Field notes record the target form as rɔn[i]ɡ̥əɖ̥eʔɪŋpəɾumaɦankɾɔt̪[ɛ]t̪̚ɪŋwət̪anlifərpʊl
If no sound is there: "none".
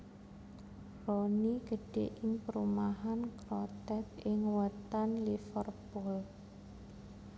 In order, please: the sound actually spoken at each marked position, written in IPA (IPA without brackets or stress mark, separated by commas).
i, ɛ